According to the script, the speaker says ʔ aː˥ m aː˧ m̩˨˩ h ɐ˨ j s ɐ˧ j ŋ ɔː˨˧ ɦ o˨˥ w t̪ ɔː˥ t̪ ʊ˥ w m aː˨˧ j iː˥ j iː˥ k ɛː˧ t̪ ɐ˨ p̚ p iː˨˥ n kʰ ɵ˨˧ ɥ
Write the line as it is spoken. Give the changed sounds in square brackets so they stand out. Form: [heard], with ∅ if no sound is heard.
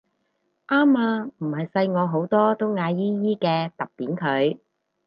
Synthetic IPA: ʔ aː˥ m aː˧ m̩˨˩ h ɐ˨ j s ɐ˧ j ŋ ɔː˨˧ ɦ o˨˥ w t̪ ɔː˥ t̪ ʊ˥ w [ŋ] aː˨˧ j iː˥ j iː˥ k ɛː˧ t̪ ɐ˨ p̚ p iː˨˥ n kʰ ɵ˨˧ ɥ